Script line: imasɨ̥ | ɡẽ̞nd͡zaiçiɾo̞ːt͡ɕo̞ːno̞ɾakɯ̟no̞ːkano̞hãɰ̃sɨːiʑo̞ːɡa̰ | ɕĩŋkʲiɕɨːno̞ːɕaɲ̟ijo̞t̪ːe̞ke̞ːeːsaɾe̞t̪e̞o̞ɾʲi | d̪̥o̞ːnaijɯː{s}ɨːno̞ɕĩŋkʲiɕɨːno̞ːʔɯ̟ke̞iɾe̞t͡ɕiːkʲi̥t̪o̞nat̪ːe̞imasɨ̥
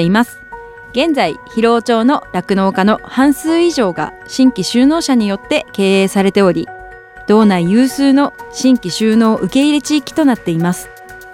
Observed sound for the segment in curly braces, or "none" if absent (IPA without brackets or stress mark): s